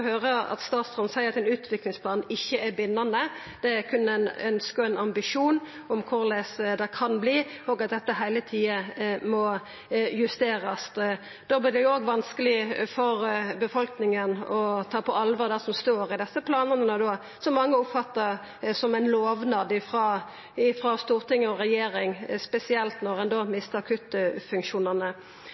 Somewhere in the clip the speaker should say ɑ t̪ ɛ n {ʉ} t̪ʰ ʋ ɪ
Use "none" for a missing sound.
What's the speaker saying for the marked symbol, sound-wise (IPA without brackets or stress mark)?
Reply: ʉː